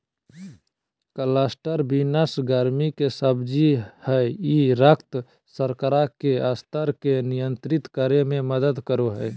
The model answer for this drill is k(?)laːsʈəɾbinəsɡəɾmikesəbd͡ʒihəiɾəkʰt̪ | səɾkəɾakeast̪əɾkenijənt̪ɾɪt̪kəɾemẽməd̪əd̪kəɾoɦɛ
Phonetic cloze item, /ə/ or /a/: ə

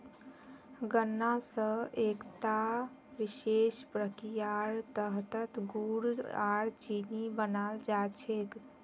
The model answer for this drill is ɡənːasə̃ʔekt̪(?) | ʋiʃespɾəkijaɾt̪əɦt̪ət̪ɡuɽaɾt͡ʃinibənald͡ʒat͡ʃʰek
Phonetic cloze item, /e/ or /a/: a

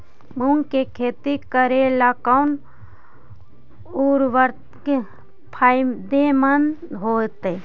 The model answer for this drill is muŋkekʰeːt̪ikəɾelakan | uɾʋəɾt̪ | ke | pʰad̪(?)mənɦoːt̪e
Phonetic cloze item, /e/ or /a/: e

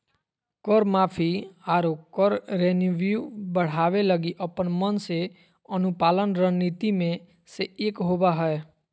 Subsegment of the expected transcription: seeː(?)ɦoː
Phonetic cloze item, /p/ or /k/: k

